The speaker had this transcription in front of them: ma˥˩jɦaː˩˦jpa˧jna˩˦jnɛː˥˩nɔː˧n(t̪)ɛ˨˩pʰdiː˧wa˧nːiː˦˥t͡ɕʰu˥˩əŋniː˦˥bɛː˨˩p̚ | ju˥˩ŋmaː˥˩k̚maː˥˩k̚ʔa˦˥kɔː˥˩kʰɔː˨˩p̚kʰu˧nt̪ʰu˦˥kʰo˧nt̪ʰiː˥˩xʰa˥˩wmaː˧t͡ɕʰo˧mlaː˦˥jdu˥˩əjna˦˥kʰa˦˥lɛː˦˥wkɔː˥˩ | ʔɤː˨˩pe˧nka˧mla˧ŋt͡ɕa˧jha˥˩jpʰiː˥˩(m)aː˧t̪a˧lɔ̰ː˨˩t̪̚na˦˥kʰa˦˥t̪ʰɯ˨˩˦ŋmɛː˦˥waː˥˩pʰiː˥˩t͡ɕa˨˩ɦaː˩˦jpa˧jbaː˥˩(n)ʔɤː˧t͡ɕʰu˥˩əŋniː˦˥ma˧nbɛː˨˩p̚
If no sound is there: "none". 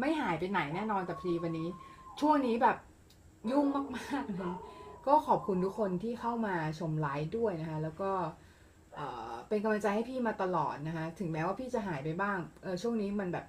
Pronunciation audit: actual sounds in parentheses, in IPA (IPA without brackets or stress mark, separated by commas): t̪, m, ŋ